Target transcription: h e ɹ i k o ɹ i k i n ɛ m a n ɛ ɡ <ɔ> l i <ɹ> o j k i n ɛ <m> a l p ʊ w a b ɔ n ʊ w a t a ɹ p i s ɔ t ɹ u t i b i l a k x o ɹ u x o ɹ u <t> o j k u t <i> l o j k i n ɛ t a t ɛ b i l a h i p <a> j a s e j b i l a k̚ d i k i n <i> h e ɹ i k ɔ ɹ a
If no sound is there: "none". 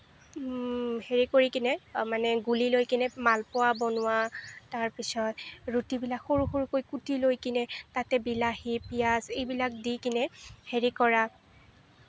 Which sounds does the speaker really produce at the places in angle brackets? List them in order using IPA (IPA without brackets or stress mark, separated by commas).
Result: u, l, m, k, i, i, ɛ